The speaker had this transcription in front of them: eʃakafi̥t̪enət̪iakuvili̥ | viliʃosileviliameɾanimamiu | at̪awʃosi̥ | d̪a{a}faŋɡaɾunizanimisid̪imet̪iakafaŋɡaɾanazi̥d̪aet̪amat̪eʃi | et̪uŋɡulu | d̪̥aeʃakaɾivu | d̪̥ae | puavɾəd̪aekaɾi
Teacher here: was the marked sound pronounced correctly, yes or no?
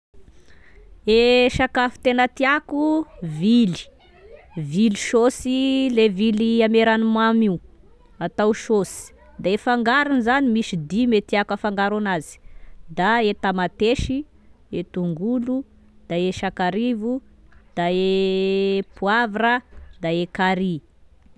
no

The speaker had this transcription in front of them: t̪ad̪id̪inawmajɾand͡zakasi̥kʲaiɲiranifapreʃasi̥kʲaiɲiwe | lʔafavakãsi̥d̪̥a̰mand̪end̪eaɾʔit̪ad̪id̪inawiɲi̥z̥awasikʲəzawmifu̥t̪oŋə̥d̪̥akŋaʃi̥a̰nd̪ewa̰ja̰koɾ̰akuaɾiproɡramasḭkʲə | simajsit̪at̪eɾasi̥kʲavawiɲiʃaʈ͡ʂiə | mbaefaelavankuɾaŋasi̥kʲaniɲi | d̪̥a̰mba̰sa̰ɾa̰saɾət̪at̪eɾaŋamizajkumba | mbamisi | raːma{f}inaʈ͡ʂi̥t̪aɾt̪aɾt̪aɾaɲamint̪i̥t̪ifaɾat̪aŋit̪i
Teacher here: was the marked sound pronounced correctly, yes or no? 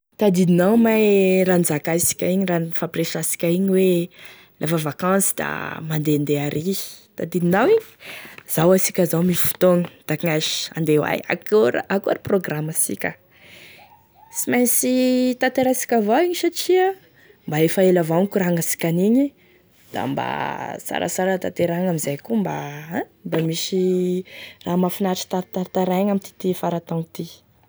yes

